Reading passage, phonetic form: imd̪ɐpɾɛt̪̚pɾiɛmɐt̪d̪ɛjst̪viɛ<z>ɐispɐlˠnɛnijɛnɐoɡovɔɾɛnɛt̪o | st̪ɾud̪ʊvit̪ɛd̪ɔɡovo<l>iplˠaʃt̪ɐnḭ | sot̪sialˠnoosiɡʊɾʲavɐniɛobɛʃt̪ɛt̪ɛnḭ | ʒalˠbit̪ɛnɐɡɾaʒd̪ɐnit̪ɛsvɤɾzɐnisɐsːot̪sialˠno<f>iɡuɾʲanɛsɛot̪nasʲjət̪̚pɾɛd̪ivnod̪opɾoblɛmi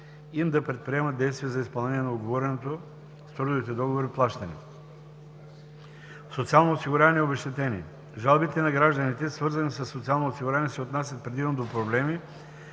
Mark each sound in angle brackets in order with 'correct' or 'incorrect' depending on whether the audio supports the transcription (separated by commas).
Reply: correct, incorrect, incorrect